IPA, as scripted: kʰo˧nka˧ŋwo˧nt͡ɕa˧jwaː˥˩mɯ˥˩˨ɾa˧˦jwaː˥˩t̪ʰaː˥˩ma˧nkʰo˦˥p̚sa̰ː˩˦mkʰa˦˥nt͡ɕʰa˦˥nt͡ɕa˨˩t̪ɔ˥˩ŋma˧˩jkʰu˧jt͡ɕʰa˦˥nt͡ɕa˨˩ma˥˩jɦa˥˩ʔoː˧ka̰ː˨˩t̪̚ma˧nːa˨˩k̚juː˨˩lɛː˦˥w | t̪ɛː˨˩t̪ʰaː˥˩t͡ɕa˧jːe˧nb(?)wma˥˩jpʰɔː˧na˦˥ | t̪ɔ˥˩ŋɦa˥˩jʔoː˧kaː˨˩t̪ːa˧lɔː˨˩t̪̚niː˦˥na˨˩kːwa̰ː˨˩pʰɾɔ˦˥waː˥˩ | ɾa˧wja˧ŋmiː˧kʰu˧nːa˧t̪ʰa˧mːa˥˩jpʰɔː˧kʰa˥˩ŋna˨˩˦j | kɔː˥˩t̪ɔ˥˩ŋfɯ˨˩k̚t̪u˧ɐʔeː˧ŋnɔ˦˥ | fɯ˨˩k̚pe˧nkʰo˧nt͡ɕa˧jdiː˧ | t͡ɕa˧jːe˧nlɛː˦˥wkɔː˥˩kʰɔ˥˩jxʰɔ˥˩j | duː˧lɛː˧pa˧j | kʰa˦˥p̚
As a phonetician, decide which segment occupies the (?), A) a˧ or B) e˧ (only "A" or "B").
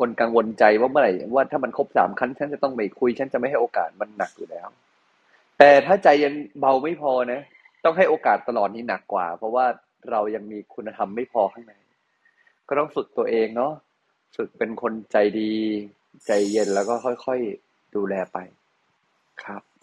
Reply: A